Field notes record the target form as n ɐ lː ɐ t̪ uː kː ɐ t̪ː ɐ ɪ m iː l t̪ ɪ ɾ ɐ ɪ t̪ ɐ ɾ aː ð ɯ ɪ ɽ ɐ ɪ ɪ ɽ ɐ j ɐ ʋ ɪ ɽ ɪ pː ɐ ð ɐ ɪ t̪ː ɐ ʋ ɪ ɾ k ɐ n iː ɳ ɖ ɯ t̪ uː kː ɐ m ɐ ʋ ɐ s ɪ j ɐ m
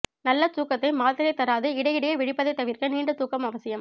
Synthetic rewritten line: n ɐ lː ɐ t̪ uː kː ɐ t̪ː ɐ ɪ m aː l t̪ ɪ ɾ ɐ ɪ t̪ ɐ ɾ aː ð ɯ ɪ ɽ ɐ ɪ ɪ ɽ ɐ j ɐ ʋ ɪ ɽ ɪ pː ɐ ð ɐ ɪ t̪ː ɐ ʋ ɪ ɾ k ɐ n iː ɳ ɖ ɯ t̪ uː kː ɐ m ɐ ʋ ɐ s ɪ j ɐ m